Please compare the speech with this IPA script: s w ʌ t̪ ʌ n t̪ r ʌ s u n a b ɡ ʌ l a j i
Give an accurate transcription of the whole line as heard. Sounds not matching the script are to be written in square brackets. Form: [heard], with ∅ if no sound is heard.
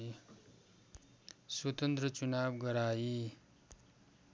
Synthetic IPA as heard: s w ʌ t̪ ʌ n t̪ r ʌ [t͡s] u n a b ɡ ʌ [ɾ] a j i